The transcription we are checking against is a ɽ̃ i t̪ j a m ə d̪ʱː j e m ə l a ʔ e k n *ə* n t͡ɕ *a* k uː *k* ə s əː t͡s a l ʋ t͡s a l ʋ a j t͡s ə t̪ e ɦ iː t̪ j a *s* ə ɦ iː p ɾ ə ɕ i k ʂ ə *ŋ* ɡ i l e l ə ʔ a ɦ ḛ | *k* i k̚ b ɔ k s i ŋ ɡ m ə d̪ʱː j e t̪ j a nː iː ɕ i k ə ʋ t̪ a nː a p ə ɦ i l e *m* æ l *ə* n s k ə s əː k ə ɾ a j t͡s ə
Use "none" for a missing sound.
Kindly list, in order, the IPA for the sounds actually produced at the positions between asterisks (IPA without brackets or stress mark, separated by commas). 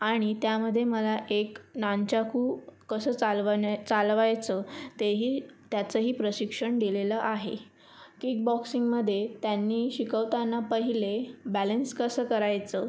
a, a, k, t͡s, ɳ, k, b, ə